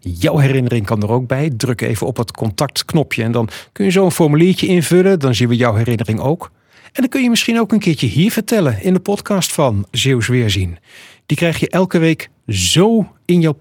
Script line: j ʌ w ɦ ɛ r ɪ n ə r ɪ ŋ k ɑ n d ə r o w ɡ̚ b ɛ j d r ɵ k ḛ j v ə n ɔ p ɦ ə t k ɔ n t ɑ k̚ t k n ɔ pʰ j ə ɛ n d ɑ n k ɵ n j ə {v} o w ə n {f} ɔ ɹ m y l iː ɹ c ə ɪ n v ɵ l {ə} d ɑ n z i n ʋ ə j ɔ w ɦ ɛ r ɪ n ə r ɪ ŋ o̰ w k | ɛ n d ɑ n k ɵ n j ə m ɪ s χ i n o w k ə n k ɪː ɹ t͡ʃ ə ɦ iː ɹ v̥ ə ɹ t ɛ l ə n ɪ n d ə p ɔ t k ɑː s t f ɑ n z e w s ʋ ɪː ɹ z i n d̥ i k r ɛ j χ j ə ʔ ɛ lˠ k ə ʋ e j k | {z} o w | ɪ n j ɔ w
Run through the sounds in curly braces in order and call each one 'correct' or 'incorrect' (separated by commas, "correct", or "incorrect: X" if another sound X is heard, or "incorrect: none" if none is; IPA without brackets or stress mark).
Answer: incorrect: z, correct, correct, correct